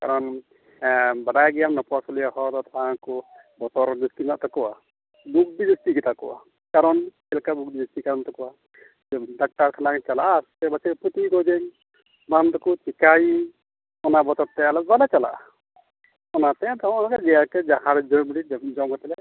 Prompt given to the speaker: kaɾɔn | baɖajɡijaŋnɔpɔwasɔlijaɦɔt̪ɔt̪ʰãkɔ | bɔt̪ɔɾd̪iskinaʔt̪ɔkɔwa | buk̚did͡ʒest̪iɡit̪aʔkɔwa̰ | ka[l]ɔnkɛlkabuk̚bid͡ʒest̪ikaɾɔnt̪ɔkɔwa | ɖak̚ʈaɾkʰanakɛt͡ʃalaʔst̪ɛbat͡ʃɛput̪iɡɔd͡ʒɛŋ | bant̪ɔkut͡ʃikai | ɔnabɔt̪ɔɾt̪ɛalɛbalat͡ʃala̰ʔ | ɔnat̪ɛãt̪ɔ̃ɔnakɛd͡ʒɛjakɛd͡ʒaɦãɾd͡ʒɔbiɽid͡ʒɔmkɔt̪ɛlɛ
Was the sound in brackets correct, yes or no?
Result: no